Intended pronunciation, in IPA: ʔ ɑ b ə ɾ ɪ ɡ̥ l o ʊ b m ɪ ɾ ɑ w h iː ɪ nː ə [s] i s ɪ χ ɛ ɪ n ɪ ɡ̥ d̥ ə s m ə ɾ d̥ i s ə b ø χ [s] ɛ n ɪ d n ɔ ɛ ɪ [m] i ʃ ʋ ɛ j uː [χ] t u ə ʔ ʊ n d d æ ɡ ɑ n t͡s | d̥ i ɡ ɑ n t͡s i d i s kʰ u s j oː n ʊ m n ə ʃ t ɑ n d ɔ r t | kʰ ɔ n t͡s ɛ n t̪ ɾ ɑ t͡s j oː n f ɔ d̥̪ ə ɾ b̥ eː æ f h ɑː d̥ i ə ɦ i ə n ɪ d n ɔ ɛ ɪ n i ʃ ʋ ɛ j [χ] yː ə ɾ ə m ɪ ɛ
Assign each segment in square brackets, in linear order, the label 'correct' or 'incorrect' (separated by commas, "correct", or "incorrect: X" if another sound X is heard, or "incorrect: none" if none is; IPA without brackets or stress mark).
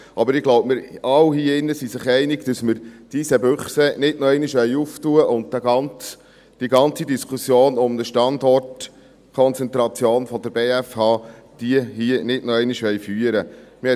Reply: correct, correct, incorrect: n, incorrect: f, incorrect: f